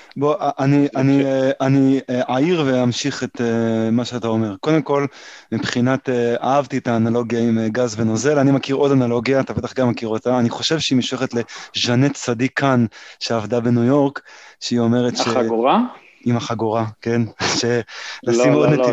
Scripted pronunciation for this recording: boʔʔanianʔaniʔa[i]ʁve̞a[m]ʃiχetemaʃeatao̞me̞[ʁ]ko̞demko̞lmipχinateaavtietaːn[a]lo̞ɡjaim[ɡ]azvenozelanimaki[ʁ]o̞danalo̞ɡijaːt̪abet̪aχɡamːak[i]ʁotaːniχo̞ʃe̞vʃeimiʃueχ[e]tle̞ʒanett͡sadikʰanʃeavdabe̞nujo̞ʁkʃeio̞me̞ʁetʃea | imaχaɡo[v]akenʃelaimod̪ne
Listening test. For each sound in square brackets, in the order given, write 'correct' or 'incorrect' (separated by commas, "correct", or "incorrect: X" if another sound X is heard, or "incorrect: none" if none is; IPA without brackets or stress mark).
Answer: correct, correct, correct, correct, correct, correct, correct, correct, incorrect: ʁ